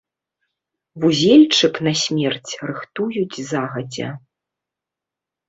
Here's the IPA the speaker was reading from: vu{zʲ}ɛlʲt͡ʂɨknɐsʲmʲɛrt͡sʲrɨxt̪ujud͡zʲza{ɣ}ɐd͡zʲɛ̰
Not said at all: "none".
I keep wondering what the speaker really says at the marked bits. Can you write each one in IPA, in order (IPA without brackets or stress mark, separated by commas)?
zʲ, ɣ